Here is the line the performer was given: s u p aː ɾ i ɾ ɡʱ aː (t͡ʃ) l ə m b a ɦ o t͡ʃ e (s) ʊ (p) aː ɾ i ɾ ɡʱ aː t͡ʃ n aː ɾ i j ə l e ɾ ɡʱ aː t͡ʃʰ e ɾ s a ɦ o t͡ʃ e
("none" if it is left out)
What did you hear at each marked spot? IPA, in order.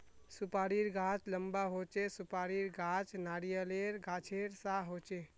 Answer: t͡ʃ, s, p

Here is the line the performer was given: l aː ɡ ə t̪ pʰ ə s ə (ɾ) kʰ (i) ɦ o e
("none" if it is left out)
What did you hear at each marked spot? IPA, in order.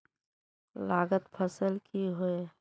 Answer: l, i

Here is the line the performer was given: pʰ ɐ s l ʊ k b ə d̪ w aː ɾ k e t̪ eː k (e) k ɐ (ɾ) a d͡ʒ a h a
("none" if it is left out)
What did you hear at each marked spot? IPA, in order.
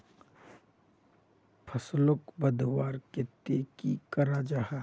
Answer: i, ɾ

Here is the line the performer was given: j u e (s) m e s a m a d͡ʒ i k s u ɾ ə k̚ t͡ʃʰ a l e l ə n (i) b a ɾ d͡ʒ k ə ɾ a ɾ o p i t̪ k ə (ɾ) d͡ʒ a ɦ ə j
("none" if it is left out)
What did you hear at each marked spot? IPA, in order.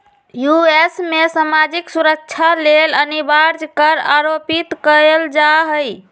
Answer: s, i, l

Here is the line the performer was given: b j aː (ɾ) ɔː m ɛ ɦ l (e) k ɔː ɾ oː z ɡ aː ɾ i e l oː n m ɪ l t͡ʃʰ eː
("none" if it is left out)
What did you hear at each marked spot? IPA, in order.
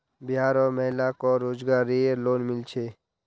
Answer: ɾ, a

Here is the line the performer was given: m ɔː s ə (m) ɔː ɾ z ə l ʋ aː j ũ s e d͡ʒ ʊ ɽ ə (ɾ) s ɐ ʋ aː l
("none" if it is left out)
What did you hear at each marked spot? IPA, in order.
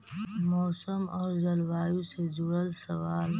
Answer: m, l

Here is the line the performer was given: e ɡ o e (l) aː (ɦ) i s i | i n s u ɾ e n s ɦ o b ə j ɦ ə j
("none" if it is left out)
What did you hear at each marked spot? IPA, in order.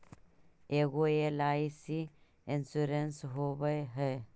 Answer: l, none

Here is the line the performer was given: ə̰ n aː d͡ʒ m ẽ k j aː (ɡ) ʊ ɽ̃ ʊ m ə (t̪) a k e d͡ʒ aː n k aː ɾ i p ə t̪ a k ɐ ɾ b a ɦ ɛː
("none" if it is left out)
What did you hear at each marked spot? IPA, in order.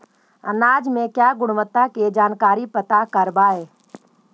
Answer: ɡ, t̪

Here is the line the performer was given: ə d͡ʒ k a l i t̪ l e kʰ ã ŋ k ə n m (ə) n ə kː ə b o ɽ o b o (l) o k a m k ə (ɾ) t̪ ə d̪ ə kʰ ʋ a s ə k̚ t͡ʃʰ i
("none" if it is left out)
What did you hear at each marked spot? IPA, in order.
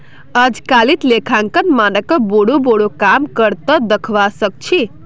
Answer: a, ɽ, ɾ

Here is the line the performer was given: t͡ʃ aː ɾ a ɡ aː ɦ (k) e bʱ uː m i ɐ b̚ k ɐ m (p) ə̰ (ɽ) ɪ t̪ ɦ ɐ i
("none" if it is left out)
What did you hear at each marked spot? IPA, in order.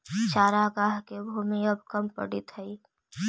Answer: k, p, ɽ

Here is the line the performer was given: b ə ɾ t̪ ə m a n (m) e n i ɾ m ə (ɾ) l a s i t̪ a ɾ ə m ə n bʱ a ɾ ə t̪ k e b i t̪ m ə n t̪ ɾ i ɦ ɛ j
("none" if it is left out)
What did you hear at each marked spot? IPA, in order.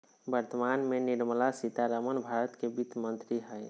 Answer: m, none

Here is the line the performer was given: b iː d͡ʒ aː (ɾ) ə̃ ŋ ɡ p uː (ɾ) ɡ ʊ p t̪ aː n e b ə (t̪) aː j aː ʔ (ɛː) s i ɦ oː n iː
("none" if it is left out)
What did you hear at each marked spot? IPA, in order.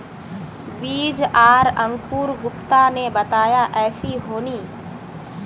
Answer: ɾ, ɾ, t̪, ɛː

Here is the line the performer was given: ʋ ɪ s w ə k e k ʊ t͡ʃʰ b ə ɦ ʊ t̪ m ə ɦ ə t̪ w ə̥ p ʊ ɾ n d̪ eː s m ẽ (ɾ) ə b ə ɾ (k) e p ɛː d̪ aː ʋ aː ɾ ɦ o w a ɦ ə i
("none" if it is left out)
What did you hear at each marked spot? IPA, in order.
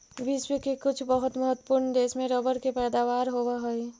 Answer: ɾ, k

